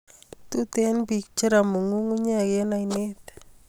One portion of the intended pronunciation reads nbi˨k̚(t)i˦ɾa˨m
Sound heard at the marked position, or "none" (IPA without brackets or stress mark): t͡ʃ